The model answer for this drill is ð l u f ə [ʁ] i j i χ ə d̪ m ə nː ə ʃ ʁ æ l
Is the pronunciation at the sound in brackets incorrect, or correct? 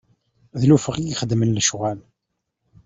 correct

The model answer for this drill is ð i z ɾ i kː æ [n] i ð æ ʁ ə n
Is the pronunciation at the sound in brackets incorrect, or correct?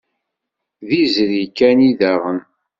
correct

